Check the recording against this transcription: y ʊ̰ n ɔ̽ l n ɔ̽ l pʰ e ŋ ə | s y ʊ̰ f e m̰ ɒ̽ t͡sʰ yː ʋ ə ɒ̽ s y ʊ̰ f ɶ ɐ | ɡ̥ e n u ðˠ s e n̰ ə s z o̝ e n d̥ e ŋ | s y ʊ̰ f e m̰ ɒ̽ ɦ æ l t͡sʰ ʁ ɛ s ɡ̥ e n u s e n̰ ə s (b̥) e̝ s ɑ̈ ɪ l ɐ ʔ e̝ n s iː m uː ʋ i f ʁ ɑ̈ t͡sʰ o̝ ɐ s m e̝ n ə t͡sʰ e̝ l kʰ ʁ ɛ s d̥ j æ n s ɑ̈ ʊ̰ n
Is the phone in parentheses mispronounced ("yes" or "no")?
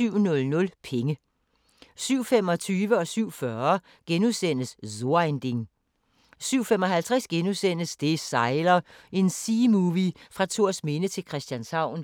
yes